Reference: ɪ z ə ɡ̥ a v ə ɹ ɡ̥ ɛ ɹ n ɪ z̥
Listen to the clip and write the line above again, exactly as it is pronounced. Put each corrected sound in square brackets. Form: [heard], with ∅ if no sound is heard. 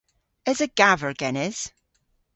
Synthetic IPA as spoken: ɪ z ə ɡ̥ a v ə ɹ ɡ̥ ɛ [∅] n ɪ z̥